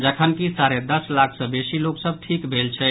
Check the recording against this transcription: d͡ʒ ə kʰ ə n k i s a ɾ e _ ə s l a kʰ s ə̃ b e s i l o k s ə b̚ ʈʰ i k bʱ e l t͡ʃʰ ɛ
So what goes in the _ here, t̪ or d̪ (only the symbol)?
d̪